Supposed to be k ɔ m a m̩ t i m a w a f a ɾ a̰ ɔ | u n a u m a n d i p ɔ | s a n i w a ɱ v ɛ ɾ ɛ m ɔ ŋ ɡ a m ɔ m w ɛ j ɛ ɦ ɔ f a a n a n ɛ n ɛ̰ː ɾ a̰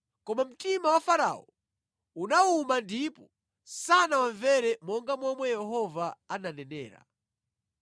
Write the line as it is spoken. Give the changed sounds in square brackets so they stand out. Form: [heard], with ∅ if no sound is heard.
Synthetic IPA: k ɔ m a m̩ t i m a w a f a ɾ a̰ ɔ | u n a u m a n d i p ɔ | s a n [a] w a ɱ v ɛ ɾ ɛ m ɔ ŋ ɡ a m ɔ m w ɛ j ɛ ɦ ɔ [v] a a n a n ɛ n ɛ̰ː ɾ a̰